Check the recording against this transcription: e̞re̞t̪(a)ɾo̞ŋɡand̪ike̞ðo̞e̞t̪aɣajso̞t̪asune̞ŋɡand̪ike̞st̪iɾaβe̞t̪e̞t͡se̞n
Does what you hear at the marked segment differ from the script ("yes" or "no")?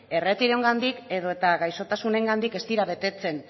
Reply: yes